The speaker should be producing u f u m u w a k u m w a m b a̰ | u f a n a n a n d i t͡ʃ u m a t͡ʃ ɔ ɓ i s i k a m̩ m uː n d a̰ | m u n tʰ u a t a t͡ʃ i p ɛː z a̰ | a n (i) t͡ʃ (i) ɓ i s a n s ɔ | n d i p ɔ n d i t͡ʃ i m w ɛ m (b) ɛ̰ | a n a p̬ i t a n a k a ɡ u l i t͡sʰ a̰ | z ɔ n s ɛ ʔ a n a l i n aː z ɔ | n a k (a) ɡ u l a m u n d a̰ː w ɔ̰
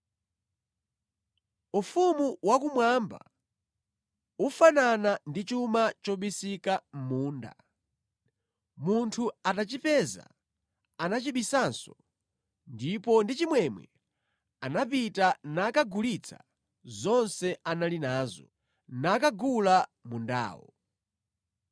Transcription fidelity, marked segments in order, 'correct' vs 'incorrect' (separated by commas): incorrect, correct, incorrect, correct